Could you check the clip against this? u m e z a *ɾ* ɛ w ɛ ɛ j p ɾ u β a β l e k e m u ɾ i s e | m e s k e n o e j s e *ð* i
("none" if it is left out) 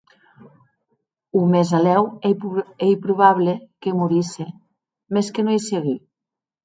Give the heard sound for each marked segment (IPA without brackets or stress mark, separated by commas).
l, ɣ